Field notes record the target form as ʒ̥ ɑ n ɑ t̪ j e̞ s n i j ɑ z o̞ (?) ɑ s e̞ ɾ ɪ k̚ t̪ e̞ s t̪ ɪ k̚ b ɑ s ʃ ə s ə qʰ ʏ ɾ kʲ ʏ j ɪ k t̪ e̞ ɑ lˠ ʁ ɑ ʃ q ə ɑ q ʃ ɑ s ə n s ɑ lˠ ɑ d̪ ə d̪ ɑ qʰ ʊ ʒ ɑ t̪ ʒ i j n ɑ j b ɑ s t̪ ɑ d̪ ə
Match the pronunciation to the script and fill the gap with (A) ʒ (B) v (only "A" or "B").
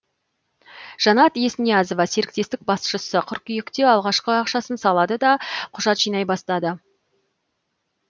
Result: B